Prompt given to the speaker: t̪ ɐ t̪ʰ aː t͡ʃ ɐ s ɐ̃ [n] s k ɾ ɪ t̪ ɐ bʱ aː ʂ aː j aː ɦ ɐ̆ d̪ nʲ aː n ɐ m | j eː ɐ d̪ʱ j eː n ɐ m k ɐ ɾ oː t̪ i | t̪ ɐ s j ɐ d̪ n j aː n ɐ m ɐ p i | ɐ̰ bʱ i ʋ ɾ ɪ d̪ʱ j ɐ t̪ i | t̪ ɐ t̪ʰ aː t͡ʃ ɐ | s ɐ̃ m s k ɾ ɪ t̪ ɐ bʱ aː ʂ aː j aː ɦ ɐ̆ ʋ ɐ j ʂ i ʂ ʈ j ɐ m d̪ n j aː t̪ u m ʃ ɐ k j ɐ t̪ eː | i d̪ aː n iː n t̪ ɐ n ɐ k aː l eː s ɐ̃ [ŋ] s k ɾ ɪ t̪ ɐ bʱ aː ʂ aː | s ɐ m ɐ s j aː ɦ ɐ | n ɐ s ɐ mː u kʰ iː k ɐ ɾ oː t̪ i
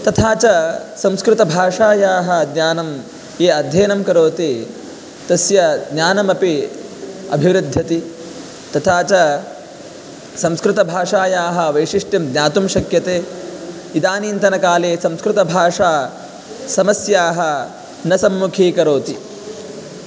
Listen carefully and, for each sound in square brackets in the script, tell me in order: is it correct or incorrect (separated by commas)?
incorrect, incorrect